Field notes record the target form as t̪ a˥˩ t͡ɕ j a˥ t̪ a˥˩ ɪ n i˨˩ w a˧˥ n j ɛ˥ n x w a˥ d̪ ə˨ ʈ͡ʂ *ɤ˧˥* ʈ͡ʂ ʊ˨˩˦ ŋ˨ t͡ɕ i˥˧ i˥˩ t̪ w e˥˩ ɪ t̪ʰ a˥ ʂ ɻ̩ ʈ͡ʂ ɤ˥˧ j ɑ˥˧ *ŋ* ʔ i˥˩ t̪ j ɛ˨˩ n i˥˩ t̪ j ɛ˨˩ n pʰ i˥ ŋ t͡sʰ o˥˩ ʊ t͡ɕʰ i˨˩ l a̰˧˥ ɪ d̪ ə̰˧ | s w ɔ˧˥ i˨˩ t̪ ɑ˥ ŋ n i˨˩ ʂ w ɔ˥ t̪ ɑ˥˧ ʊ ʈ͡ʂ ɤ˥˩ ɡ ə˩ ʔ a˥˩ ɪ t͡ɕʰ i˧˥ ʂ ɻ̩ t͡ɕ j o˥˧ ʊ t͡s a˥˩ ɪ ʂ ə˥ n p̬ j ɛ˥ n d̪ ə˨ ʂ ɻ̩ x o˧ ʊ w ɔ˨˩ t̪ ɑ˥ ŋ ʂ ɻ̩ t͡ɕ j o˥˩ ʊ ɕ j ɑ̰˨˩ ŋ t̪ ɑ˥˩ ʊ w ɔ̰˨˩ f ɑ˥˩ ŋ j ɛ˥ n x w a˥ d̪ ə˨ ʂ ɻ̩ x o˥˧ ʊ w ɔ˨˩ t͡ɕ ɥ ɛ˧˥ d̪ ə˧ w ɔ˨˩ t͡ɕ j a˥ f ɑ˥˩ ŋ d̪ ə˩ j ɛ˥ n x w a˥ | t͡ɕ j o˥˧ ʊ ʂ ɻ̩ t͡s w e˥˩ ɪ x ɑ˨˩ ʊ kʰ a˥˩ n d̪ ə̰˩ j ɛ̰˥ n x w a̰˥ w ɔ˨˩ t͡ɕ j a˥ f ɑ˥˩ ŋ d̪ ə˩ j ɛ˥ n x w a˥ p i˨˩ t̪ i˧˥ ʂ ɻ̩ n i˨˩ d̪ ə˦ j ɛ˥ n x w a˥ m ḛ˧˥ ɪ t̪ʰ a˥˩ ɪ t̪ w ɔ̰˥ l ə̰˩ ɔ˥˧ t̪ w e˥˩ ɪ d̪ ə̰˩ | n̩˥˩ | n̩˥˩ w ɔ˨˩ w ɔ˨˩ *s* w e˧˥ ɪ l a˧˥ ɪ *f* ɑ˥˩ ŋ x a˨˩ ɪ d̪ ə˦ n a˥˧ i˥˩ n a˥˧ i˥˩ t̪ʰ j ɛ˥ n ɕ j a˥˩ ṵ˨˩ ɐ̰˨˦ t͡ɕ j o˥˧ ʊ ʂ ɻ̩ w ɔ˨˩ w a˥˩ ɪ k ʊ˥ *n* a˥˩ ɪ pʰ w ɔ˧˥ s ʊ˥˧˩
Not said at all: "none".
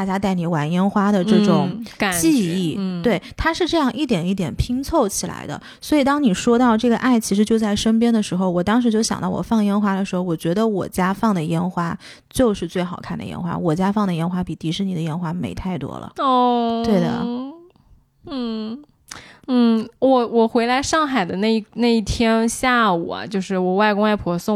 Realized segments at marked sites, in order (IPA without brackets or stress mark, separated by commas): ɤ˥˩, ŋ, x, ʂ, ŋ